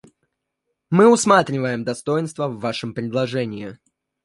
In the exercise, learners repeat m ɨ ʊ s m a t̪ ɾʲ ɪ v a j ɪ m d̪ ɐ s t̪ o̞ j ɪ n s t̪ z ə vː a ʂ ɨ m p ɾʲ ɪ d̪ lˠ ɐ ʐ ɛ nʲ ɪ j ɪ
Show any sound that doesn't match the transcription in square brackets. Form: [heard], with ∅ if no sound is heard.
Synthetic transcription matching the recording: m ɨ ʊ s m a t̪ ɾʲ ɪ v [ə] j ɪ m d̪ ɐ s t̪ o̞ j ɪ n s t̪ [v] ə vː a ʂ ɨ m p ɾʲ ɪ d̪ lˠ ɐ ʐ ɛ nʲ ɪ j ɪ